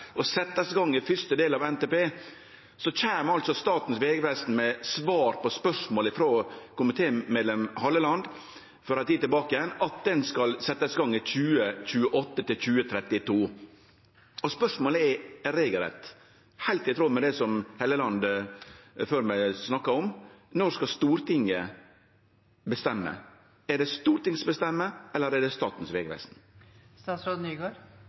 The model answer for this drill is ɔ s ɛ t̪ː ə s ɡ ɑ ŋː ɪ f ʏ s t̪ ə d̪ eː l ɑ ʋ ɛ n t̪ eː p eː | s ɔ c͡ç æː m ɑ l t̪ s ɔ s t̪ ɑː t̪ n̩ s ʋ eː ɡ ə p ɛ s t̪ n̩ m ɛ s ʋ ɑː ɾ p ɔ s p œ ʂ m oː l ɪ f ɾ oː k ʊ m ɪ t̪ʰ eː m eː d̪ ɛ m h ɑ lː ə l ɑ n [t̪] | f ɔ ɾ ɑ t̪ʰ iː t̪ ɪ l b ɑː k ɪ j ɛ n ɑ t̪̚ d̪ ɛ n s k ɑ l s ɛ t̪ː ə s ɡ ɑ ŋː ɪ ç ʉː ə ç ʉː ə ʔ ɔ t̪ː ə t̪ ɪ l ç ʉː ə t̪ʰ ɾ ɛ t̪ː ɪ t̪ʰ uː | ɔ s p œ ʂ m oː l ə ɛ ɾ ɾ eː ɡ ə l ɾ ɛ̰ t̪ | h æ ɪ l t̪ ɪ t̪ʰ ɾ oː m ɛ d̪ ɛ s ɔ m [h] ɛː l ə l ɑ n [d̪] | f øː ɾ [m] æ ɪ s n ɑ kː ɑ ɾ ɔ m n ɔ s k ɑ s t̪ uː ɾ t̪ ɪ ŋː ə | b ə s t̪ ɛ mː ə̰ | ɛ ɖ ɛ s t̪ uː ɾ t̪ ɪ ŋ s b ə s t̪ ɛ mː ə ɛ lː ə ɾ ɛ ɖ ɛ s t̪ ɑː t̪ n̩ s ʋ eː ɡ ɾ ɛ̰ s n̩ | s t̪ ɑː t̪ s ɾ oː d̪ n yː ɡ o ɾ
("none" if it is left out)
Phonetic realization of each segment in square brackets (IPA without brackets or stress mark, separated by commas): d̪, h, d̪, m